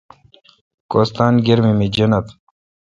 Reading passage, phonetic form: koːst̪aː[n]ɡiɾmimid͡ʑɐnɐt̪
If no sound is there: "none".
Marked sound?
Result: n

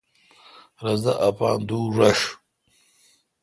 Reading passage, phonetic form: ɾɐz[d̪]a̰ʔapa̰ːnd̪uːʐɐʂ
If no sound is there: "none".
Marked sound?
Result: d̪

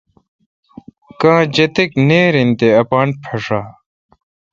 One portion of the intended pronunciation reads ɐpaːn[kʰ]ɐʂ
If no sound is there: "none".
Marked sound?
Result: pʰ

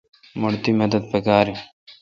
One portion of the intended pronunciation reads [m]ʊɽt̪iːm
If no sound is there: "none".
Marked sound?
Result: m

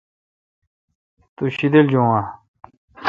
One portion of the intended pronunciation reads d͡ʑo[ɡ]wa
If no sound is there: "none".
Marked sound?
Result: ŋ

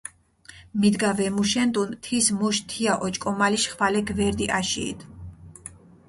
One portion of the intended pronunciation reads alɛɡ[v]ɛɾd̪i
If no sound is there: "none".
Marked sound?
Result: v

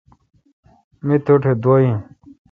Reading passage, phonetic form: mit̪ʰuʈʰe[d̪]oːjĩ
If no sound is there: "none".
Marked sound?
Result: d̪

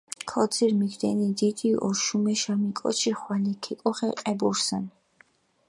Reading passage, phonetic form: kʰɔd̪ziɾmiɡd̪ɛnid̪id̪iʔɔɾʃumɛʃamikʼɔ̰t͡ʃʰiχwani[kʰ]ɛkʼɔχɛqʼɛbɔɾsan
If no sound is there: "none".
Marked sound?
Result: kʰ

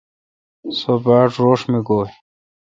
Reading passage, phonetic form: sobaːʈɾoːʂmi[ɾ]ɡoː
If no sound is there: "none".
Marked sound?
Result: none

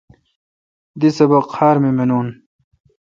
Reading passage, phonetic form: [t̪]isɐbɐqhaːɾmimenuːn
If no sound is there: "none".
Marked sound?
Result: d̪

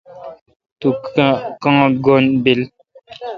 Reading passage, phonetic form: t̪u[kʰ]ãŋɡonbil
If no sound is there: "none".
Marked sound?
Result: k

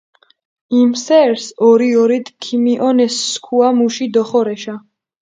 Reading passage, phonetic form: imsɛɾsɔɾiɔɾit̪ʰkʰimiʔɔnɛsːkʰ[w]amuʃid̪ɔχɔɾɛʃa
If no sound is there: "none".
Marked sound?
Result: u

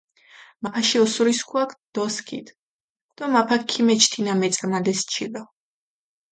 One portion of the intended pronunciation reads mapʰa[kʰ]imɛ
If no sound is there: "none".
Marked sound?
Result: kʰ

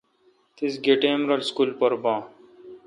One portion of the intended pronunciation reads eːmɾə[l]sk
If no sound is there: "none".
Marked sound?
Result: l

